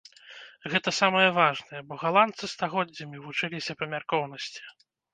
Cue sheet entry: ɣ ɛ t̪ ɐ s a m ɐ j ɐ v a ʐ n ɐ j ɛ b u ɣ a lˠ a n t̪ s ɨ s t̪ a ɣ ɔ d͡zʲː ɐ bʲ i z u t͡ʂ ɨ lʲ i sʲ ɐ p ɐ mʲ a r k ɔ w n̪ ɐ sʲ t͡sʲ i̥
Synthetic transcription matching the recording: ɣ ɛ t̪ ɐ s a m ɐ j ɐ v a ʐ n ɐ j ɛ b ɔ ɣ a lˠ a n t̪ s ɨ s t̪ a ɣ ɔ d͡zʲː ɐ mʲ i v u t͡ʂ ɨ lʲ i sʲ ɐ p ɐ mʲ a r k ɔ w n̪ ɐ sʲ t͡sʲ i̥